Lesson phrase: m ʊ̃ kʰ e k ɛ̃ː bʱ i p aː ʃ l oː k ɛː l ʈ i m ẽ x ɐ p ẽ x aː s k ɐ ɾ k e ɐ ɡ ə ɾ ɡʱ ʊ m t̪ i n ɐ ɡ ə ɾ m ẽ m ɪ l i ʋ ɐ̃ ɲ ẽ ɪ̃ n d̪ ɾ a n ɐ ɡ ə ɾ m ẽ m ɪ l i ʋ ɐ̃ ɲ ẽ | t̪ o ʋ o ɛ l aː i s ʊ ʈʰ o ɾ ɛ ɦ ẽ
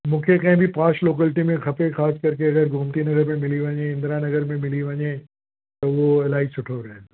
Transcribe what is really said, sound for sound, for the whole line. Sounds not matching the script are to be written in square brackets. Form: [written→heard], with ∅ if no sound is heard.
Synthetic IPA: m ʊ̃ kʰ e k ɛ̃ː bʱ i p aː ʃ l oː k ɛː l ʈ i m ẽ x ɐ p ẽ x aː s k ɐ ɾ k e ɐ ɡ ə ɾ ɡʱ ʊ m t̪ i n ɐ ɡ ə ɾ m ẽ m ɪ l i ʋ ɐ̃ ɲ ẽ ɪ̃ n d̪ ɾ a n ɐ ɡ ə ɾ m ẽ m ɪ l i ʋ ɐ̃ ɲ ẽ | t̪ o ʋ o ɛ l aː i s ʊ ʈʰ o ɾ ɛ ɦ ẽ